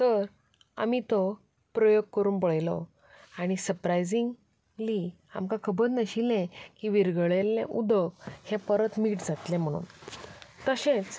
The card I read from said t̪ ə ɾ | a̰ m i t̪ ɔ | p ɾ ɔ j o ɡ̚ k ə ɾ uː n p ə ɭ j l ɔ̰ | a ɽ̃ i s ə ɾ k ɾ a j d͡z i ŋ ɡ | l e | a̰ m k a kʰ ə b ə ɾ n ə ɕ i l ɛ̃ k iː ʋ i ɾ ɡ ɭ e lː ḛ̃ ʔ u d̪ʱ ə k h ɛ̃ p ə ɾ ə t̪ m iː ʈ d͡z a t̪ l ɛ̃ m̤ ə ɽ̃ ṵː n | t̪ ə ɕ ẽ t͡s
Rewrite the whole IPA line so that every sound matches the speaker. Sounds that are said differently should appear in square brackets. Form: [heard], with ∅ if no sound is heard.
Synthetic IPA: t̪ ə ɾ | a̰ m i t̪ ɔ | p ɾ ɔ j o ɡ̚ k ə ɾ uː n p ə ɭ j l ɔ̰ | a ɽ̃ i s ə ɾ [p] ɾ a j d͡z i ŋ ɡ | l [i] | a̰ m k a kʰ ə b ə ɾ n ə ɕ i l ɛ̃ k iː ʋ i ɾ ɡ ɭ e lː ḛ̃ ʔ u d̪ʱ ə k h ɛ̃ p ə ɾ ə t̪ m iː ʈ d͡z a t̪ l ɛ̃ m̤ ə ɽ̃ ṵː n | t̪ ə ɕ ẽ t͡s